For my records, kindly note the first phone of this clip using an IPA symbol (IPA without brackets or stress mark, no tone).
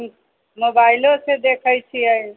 m